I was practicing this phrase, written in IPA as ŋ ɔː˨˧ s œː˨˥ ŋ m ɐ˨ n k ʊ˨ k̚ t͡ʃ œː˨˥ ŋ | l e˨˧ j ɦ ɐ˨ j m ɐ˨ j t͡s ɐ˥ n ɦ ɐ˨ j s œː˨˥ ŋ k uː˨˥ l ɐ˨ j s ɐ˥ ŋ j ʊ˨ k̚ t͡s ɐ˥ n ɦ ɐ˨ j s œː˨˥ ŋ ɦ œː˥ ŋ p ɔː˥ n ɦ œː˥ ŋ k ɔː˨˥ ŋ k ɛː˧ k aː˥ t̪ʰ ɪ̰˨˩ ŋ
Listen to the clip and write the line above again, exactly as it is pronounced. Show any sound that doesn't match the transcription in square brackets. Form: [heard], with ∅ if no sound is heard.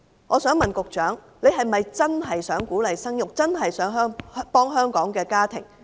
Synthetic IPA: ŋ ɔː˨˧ s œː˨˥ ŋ m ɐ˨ n k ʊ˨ k̚ t͡ʃ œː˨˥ ŋ | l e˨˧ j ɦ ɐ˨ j m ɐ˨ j t͡s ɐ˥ n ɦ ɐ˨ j s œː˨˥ ŋ k uː˨˥ l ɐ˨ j s ɐ˥ ŋ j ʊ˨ k̚ t͡s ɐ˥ n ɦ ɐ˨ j s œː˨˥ ŋ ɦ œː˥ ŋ p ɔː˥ [ŋ] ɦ œː˥ ŋ k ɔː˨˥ ŋ k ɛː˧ k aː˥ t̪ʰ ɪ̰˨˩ ŋ